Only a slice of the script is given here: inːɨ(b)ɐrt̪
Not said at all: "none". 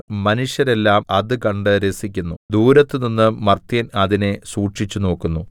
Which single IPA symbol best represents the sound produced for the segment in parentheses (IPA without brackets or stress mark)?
m